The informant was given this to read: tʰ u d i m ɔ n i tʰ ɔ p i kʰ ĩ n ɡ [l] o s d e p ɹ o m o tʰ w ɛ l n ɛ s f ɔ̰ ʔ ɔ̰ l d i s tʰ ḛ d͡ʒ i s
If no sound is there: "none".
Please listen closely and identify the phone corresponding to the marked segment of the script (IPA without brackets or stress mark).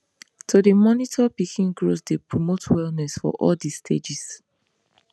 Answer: ɹ